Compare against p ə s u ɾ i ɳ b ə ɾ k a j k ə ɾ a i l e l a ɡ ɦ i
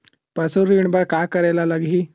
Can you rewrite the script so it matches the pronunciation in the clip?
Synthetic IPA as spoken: p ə s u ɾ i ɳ b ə ɾ k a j k ə ɾ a j l a l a ɡ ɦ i